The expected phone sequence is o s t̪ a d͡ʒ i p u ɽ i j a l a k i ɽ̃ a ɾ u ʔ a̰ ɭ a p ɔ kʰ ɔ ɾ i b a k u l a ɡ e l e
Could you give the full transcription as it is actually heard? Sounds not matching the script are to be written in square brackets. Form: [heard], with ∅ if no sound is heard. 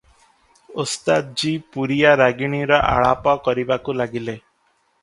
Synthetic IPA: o s t̪ a d͡ʒ i p u [ɾ] i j a [ɾ] a [ɡ] i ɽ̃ [i] ɾ [ɔ] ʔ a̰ ɭ a p ɔ [k] ɔ ɾ i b a k u l a ɡ [i] l e